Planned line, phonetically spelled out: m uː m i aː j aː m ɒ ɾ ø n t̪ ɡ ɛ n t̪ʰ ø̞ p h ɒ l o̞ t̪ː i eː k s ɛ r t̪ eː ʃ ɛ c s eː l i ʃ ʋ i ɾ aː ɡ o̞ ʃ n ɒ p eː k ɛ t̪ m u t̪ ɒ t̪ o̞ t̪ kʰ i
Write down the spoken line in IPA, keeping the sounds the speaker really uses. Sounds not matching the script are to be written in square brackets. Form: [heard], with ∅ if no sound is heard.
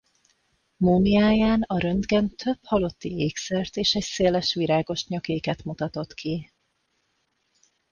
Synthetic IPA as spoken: m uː m i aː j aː [n] ɒ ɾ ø n [d̪] ɡ ɛ n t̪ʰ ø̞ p h ɒ l o̞ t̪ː i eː k s ɛ r t̪ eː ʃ ɛ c s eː l [ɛ] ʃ ʋ i ɾ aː ɡ o̞ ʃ [ɲ] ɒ [k] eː k ɛ t̪ m u t̪ ɒ t̪ o̞ t̪ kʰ i